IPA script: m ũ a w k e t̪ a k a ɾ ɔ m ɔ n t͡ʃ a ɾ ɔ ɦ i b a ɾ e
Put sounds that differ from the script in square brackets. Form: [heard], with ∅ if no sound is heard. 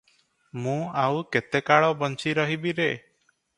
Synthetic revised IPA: m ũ a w k e t̪ [e] k a [ɭ] ɔ [b] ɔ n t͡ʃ [i] ɾ ɔ ɦ i b [i] ɾ e